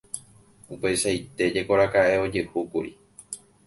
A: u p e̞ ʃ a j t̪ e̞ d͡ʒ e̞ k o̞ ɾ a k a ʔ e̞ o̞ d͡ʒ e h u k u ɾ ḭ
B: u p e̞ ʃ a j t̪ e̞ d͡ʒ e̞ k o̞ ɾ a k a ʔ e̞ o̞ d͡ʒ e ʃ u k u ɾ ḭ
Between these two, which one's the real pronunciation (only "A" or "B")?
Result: A